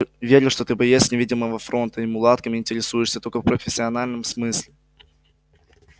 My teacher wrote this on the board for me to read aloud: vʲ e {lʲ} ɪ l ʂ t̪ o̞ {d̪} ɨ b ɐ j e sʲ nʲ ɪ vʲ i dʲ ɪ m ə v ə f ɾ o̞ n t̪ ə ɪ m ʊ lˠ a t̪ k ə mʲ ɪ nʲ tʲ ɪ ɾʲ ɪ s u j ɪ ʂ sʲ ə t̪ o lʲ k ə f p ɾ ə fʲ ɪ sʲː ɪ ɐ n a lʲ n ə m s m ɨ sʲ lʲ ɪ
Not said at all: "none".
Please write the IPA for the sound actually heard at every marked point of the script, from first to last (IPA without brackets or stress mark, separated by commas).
ɾʲ, t̪